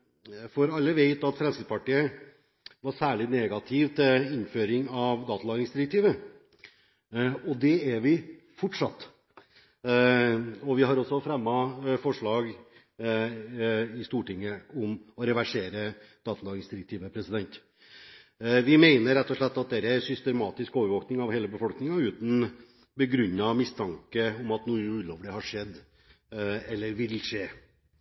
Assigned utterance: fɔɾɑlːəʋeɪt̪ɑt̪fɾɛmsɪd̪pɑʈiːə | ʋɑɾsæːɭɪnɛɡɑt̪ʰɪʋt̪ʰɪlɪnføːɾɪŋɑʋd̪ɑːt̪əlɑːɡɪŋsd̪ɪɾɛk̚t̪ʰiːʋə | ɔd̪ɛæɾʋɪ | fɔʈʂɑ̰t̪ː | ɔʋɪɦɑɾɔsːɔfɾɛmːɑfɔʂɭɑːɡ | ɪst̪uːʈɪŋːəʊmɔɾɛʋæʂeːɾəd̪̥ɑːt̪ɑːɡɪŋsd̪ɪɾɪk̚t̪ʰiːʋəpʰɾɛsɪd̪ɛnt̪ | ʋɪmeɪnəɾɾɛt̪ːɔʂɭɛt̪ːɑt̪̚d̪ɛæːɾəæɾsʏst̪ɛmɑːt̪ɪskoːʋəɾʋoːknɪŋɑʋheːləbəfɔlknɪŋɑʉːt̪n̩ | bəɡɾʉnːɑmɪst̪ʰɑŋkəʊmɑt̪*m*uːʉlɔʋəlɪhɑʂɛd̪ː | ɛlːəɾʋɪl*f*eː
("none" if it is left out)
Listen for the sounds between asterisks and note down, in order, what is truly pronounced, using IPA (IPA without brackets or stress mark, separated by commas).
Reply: n, ʂ